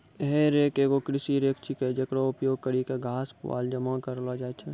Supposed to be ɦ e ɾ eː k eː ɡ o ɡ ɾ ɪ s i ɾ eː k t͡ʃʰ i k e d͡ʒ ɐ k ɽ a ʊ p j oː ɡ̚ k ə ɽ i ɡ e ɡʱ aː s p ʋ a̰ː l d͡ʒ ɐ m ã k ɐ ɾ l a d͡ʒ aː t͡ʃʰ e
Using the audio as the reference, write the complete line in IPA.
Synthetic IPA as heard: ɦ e ɾ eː k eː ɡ o k ɾ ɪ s i ɾ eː k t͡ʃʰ i k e d͡ʒ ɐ k ɽ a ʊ p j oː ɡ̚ k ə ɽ i k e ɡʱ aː s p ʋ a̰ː l d͡ʒ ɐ m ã k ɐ ɾ l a d͡ʒ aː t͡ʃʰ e